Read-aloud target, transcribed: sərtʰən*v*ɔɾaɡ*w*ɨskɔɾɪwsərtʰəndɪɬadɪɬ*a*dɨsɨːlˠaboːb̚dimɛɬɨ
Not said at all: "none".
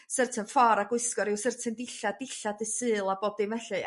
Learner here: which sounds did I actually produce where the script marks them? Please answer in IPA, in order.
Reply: f, w, a

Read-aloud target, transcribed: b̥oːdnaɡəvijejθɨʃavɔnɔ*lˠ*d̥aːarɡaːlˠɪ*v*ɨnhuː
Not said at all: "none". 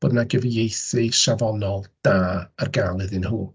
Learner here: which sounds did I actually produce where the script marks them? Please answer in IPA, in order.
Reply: lˠ, ð

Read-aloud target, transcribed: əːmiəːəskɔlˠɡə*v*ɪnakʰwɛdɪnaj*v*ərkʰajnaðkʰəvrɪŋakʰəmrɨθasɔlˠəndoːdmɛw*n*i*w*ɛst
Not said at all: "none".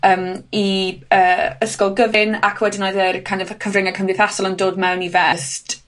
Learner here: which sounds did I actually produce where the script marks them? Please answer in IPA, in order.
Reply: v, ð, n, v

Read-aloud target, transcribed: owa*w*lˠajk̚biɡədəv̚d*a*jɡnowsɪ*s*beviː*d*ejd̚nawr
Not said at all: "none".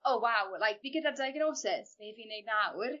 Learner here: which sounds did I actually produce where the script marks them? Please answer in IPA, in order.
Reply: w, a, s, n

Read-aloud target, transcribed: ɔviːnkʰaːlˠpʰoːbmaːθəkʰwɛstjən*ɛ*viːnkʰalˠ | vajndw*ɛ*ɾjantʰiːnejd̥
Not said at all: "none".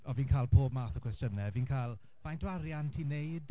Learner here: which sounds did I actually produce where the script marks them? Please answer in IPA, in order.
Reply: ɛ, a

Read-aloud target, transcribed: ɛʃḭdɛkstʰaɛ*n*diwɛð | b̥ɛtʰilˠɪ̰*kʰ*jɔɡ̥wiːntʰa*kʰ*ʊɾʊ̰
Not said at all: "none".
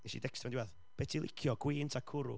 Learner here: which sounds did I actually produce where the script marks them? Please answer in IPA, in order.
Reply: n, kʰ, kʰ

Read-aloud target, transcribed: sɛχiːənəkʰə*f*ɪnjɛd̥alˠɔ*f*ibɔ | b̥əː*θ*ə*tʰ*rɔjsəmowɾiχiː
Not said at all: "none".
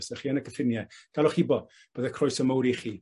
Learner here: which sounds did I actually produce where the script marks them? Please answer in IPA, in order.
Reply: f, χ, ð, kʰ

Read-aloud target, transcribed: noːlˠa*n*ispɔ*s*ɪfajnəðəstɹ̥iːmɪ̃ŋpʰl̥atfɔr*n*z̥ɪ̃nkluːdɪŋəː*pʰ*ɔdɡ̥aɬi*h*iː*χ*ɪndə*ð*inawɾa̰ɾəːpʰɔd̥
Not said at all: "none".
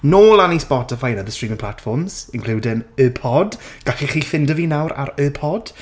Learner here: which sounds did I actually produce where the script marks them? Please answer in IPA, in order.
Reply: n, t, m, pʰ, χ, f, v

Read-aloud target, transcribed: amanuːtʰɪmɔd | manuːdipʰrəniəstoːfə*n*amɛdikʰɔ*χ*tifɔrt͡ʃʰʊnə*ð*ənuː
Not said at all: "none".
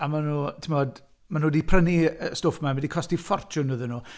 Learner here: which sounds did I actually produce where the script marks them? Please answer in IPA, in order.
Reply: m, s, ð

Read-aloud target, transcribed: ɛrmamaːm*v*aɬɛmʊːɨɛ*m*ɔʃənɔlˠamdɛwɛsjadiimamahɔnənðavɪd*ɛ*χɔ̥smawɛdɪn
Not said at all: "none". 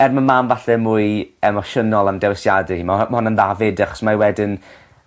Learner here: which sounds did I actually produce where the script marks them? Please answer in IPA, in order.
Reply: v, m, a

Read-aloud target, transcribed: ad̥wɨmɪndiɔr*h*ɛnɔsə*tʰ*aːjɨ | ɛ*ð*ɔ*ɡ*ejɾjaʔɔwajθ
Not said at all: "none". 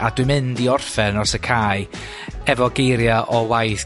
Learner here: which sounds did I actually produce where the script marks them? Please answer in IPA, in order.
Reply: f, kʰ, v, ɡ

